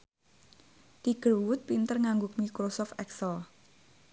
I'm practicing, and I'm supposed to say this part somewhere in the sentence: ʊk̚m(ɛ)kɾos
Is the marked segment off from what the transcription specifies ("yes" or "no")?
yes